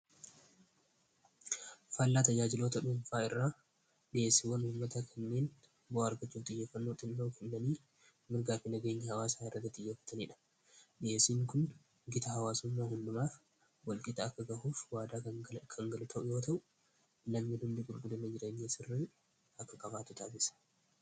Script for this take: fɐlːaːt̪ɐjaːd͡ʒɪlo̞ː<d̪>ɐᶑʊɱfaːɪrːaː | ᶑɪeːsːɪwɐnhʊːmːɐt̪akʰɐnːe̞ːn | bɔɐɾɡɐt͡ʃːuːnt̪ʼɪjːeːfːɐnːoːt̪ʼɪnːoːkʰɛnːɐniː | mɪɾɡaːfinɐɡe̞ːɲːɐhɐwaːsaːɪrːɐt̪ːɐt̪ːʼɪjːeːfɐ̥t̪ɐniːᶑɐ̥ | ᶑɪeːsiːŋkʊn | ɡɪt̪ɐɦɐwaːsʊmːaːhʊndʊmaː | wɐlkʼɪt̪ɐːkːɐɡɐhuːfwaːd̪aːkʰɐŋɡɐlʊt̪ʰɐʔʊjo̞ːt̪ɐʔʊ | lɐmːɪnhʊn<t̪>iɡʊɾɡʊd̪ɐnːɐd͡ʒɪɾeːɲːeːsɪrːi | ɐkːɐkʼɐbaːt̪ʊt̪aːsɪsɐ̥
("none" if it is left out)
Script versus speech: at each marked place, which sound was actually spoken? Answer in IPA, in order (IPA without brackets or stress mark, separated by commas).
t̪, d̪